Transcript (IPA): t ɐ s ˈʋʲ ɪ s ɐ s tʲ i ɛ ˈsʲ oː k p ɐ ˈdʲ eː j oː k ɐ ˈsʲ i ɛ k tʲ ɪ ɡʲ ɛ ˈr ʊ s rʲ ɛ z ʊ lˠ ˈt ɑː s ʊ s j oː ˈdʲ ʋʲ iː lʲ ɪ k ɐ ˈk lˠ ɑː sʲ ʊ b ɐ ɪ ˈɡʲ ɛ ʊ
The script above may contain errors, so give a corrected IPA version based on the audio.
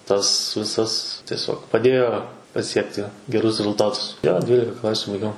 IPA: t ɐ s ˈʋʲ ɪ s ɐ s tʲ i ɛ ˈsʲ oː k p ɐ ˈdʲ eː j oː p ɐ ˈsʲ i ɛ k tʲ ɪ ɡʲ ɛ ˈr ʊ s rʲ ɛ z ʊ lˠ ˈt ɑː t ʊ s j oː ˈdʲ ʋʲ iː lʲ ɪ k ɐ ˈk lˠ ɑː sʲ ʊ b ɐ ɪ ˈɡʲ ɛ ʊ